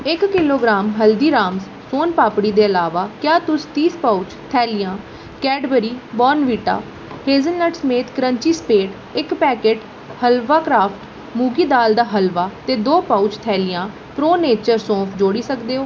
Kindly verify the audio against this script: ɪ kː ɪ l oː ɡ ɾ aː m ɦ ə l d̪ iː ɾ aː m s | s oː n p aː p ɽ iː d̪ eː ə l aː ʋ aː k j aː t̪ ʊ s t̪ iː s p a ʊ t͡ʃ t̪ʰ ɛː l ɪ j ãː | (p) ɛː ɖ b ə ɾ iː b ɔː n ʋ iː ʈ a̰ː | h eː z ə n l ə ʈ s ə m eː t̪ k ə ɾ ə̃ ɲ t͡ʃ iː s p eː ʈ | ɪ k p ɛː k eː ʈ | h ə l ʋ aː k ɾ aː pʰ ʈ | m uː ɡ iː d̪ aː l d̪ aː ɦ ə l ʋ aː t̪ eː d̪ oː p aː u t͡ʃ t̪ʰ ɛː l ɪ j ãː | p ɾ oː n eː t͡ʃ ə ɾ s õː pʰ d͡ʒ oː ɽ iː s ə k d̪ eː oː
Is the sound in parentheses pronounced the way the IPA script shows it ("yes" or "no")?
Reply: no